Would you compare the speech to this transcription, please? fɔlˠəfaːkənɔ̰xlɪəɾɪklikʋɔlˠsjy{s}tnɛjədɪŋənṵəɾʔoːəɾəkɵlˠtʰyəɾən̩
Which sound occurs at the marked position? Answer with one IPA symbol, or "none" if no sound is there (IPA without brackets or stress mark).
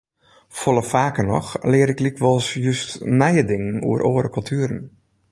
s